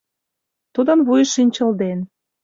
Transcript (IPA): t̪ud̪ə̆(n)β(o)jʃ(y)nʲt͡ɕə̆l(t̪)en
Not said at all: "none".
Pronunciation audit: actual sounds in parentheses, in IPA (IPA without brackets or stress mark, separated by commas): n, u, i, d̪